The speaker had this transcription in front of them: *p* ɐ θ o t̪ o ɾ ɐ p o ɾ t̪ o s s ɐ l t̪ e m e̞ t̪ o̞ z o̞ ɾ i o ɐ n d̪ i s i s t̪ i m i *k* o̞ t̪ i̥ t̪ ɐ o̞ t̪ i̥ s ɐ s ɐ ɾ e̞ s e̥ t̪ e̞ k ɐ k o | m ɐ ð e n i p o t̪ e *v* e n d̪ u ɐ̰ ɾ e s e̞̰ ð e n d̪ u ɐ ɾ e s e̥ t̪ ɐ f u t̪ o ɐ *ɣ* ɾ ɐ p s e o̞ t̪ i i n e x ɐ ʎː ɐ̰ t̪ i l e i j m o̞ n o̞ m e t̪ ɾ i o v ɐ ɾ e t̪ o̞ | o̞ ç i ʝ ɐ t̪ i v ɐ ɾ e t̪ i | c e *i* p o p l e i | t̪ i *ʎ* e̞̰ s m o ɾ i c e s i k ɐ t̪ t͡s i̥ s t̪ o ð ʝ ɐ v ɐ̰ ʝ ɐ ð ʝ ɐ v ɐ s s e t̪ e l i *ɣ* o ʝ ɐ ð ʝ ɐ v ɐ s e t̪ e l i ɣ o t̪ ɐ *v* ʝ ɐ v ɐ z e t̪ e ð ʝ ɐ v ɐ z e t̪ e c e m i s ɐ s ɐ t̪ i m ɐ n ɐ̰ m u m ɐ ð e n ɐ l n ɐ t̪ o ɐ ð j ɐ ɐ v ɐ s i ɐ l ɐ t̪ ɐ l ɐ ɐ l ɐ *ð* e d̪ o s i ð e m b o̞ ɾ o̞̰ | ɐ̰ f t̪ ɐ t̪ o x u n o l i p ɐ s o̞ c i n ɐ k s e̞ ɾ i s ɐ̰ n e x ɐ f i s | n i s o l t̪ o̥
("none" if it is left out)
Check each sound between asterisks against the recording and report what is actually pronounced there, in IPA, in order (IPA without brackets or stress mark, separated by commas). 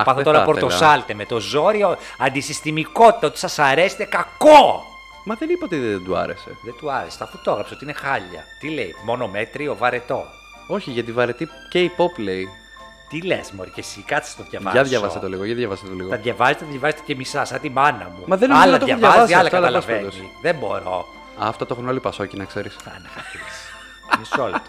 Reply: p, k, ð, ɣ, i, l, ɣ, ð, v